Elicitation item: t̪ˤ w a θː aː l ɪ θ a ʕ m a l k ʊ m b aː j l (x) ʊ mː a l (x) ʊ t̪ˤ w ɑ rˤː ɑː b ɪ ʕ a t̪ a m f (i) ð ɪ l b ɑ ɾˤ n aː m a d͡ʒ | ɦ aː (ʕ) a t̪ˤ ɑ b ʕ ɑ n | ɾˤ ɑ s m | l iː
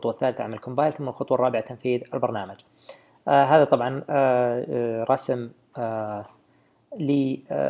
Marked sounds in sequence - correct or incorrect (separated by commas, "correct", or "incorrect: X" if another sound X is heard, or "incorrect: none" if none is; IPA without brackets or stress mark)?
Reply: incorrect: θ, correct, incorrect: iː, incorrect: ð